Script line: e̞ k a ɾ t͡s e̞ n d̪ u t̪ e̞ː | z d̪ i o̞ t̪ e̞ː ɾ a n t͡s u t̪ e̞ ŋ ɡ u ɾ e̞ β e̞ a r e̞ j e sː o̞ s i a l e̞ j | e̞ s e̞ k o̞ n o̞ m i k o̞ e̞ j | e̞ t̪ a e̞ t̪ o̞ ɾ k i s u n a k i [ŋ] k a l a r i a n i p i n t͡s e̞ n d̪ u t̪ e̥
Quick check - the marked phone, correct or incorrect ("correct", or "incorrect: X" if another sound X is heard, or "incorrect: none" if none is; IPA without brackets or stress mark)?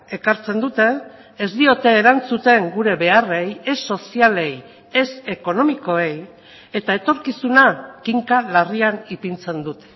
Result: correct